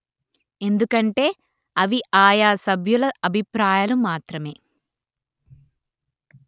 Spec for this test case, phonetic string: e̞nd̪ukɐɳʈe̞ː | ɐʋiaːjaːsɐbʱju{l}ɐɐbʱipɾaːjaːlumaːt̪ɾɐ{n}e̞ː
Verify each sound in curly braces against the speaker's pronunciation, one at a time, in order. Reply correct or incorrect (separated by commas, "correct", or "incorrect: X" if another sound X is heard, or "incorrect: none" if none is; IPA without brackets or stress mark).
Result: correct, incorrect: m